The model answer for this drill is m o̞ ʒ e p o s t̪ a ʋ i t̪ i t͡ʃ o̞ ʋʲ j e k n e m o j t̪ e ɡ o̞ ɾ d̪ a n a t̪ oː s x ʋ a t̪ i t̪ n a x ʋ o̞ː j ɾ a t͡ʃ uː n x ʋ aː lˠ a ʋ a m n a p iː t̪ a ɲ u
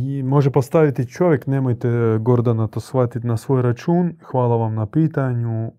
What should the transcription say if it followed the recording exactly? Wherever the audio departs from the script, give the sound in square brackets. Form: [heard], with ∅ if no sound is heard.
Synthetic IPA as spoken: m o̞ ʒ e p o s t̪ a ʋ i t̪ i t͡ʃ o̞ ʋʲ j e k n e m o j t̪ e ɡ o̞ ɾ d̪ a n a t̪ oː s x ʋ a t̪ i t̪ n a [s] ʋ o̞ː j ɾ a t͡ʃ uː n x ʋ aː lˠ a ʋ a m n a p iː t̪ a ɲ u